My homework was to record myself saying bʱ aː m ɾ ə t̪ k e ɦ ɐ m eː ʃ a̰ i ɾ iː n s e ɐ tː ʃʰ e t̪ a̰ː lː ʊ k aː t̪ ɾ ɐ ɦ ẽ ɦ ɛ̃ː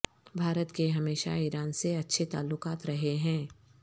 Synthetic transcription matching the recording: bʱ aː ɾ ə t̪ k e ɦ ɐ m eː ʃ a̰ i ɾ aː n s e ɐ tː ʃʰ e t̪ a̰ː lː ʊ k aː t̪ ɾ ɐ ɦ e ɦ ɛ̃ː